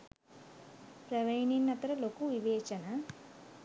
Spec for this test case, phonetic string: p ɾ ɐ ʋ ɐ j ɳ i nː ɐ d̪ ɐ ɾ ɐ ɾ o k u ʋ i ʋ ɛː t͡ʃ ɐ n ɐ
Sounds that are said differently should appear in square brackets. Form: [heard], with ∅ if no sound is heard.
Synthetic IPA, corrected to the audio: p ɾ ɐ ʋ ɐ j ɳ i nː ɐ [t̪] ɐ ɾ ɐ [l] o k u ʋ i ʋ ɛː t͡ʃ ɐ n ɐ